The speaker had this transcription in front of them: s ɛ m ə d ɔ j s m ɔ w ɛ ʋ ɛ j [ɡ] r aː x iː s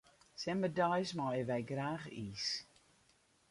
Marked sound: correct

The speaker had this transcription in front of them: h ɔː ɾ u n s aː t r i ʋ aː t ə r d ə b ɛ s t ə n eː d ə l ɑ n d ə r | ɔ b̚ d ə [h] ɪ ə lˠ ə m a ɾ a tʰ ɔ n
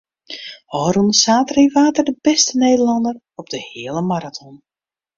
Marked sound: correct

